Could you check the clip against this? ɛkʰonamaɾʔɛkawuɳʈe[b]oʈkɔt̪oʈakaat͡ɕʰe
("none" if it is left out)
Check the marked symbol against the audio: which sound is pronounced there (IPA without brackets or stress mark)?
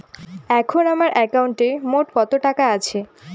m